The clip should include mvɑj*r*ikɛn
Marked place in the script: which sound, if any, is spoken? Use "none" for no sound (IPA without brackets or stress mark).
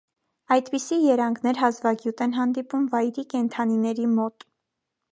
ɾ